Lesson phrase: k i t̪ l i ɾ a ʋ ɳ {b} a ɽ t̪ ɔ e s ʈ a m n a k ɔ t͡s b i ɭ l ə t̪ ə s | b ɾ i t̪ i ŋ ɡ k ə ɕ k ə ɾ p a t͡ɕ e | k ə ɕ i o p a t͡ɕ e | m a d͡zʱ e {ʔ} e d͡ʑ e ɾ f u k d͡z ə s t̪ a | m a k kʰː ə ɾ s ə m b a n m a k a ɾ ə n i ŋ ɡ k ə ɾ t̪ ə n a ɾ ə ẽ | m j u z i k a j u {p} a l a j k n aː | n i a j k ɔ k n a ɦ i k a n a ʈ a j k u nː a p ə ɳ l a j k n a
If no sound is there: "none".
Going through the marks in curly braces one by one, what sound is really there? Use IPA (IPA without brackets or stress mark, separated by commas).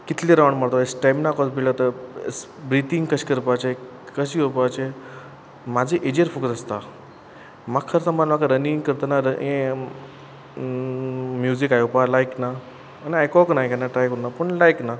m, ʔ, p